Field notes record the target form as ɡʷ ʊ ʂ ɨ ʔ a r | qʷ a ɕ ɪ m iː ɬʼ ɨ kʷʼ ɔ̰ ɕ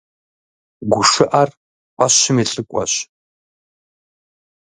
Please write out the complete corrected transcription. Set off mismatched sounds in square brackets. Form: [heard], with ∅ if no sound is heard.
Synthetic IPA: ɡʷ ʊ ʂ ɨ ʔ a r | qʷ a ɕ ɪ m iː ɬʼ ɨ kʷʼ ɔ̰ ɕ